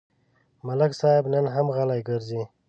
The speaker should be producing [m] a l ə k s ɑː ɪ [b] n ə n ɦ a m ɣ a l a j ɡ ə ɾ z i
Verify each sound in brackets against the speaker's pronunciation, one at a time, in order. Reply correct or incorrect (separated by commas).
correct, correct